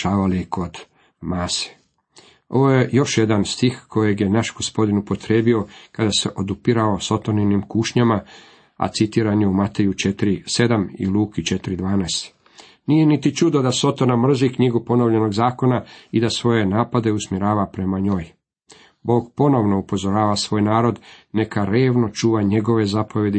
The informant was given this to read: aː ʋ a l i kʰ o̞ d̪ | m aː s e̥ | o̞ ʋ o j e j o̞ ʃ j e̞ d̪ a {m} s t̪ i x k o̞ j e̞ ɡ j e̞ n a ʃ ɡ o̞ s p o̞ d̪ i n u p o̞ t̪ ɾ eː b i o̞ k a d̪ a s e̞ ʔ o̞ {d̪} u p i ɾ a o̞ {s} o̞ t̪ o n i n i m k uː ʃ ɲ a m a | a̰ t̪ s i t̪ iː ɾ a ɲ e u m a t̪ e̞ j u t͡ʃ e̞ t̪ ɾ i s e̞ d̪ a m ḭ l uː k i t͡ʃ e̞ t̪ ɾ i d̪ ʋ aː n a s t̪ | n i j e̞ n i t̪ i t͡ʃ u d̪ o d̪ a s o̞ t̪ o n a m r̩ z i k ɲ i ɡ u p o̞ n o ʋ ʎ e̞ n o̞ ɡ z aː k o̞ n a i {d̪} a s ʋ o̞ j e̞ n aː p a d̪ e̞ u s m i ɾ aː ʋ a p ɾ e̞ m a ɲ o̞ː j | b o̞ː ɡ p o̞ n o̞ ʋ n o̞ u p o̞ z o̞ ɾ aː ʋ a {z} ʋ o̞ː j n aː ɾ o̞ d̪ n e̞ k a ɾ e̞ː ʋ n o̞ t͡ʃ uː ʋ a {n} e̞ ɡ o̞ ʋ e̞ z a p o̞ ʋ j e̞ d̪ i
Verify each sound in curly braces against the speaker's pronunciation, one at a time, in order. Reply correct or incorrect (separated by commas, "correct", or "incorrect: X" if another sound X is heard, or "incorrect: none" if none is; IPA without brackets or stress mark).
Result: incorrect: n, correct, correct, correct, incorrect: s, incorrect: ɲ